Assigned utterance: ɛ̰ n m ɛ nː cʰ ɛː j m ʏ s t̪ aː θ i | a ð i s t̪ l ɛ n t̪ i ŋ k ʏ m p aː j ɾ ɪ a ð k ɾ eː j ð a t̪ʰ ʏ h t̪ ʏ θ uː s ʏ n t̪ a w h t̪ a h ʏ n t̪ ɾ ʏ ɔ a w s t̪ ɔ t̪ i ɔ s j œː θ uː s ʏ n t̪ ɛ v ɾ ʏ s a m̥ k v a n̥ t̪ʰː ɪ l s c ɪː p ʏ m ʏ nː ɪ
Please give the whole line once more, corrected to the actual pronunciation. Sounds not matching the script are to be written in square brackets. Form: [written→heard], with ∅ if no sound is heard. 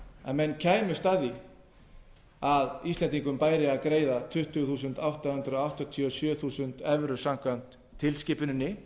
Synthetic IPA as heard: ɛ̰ n m ɛ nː cʰ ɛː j m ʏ s t̪ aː [θ→ð] i | a ð i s t̪ l ɛ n t̪ i ŋ k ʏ m p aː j ɾ ɪ a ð k ɾ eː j ð a t̪ʰ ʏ h t̪ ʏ θ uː s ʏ n t̪ a w h t̪ a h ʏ n t̪ ɾ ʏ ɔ a w [s→h] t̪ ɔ [t̪→t̪ʰ] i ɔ s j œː θ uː s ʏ n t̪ ɛ v ɾ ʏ s a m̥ k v a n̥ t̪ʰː ɪ l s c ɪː p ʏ [m→n] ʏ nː ɪ